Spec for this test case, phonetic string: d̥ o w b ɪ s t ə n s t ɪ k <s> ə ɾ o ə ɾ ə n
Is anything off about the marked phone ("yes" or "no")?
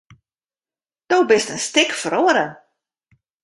yes